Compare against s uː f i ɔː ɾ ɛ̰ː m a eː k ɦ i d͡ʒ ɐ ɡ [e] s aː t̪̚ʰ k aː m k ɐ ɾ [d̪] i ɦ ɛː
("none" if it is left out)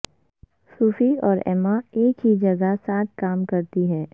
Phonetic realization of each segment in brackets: a, t̪

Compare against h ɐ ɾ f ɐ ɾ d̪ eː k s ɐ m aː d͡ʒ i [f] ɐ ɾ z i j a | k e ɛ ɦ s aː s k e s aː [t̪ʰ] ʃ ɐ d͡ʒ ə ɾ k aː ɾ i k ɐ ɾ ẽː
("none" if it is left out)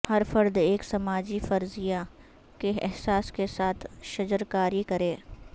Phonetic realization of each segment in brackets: f, t̪ʰ

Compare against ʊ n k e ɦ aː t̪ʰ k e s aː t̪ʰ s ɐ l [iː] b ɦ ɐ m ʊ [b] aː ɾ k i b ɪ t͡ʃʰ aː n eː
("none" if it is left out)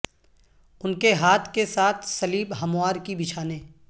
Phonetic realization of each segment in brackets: iː, none

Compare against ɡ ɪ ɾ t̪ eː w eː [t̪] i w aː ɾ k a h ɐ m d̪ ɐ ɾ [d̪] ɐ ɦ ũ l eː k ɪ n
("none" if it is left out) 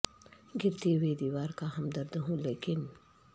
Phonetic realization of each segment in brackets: d̪, d̪

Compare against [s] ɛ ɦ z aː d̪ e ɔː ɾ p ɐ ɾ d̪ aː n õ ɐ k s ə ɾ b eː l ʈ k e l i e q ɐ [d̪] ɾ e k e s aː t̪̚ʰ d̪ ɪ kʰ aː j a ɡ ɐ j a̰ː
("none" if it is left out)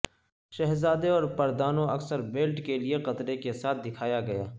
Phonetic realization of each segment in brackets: ʃ, t̪

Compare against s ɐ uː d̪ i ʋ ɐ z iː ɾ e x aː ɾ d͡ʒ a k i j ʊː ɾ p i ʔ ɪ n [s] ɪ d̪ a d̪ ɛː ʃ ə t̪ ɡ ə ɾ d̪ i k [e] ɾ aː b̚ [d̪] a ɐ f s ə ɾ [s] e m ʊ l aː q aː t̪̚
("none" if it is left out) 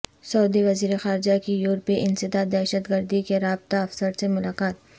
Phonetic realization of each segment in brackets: s, e, t̪, s

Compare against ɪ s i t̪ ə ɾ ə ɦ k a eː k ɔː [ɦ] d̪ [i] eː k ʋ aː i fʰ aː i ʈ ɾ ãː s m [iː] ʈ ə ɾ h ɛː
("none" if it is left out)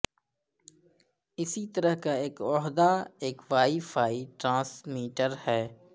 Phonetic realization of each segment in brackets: ɦ, a, iː

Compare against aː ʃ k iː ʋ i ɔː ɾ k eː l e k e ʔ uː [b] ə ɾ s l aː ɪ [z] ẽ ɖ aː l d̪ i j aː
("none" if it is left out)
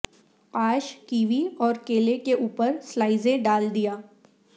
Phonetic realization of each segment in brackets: p, z

